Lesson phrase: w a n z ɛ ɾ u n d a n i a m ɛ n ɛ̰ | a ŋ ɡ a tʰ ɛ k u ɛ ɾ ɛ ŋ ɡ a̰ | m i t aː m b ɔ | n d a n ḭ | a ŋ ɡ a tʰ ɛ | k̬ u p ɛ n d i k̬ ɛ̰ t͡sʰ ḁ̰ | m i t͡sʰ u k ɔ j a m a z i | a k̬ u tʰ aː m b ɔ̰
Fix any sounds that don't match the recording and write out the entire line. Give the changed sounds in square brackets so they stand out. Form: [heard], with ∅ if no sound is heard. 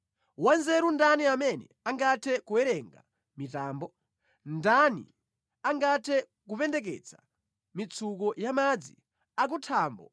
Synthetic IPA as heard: w a n z ɛ ɾ u n d a n i a m ɛ n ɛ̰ | a ŋ ɡ a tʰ ɛ k u ɛ ɾ ɛ ŋ ɡ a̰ | m i t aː m b ɔ | n d a n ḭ | a ŋ ɡ a tʰ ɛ | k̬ u p ɛ n d [ɛ] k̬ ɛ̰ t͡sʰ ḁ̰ | m i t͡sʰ u k ɔ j a m a [d͡z] i | a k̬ u tʰ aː m b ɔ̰